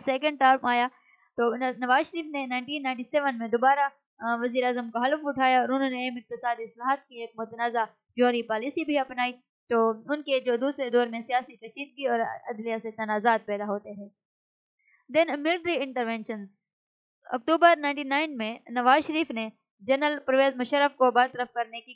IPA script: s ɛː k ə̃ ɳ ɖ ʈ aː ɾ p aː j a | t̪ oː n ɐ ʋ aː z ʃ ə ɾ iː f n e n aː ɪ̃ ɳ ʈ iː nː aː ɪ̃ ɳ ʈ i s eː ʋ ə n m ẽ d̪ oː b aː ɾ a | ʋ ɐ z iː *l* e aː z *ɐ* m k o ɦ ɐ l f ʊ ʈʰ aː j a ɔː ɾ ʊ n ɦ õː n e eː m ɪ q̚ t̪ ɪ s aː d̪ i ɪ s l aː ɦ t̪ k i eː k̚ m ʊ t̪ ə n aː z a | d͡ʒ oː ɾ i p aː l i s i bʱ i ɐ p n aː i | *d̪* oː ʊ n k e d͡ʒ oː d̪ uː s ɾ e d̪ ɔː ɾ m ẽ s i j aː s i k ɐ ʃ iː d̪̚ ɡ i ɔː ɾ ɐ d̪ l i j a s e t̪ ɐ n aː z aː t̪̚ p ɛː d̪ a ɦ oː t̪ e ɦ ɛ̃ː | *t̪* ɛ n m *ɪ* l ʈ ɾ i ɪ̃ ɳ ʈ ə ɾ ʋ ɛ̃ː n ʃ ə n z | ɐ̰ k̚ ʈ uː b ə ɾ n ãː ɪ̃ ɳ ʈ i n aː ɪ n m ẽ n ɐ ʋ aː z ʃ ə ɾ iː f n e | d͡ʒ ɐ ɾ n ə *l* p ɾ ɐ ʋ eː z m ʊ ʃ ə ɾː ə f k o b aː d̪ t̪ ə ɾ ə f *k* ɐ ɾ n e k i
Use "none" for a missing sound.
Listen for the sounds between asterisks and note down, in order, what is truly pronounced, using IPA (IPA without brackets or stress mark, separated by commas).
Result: ɾ, ə, t̪, d̪, ɪ, l, k